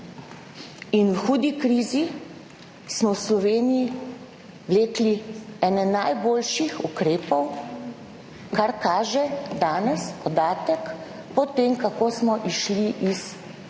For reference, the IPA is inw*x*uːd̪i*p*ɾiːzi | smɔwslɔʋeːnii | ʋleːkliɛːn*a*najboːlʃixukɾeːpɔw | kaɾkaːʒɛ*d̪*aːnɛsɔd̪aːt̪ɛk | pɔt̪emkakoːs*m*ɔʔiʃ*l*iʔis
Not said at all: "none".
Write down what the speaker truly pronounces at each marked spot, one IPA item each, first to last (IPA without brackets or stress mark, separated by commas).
x, k, ɛ, d̪, m, l